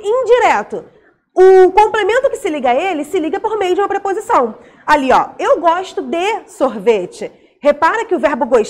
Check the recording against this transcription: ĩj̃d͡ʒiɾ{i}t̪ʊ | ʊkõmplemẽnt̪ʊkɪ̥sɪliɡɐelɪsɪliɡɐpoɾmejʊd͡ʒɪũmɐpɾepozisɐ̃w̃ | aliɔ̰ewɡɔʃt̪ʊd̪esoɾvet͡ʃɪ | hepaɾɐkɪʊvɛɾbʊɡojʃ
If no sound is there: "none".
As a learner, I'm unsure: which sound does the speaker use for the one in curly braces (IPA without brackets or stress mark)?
ɛ